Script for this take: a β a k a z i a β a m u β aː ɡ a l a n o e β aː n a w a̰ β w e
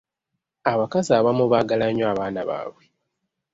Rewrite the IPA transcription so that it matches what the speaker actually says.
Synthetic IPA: a β a k a z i a β a m u β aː ɡ a l a ɲ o a β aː n a β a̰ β w e